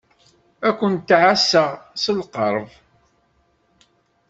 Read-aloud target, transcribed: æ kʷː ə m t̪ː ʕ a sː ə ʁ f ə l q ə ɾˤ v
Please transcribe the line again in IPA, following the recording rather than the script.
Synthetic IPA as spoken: æ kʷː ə n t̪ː ʕ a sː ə ʁ s ə l q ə ɾˤ v